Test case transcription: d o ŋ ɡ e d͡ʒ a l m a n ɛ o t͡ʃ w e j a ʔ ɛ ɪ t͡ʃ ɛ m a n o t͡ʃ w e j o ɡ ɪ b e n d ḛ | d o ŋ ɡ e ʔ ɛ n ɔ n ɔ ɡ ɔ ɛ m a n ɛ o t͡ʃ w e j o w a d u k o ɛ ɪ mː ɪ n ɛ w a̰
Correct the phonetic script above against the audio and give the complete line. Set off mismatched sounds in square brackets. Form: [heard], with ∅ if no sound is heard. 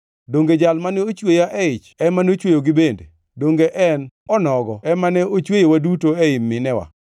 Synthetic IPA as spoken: d o ŋ ɡ e d͡ʒ a l m a n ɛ o t͡ʃ w e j a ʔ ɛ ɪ t͡ʃ ɛ m a n o t͡ʃ w e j o ɡ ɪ b e n d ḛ | d o ŋ ɡ e ʔ ɛ n ɔ n ɔ ɡ ɔ ɛ m a n ɛ o t͡ʃ w e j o w a d u [t] o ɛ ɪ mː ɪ n ɛ w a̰